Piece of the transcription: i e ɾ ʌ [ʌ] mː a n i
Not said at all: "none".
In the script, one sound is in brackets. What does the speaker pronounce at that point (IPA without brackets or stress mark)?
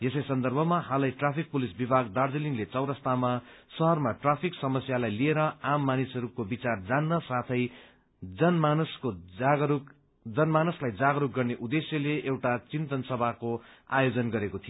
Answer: a